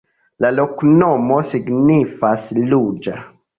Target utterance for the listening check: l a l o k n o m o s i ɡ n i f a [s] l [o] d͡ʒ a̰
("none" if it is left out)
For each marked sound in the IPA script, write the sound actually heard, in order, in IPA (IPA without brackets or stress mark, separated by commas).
s, u